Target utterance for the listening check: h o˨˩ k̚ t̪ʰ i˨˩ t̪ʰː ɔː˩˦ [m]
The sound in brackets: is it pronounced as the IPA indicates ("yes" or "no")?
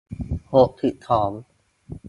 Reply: yes